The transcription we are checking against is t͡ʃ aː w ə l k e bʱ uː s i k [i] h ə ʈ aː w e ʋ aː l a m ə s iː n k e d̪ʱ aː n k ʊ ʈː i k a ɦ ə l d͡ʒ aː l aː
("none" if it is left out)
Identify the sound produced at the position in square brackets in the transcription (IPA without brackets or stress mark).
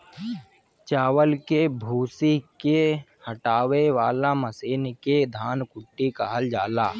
e